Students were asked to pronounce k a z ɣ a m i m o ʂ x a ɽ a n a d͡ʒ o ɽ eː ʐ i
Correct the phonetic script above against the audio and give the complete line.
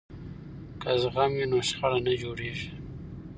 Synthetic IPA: k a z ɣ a m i n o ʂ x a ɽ a n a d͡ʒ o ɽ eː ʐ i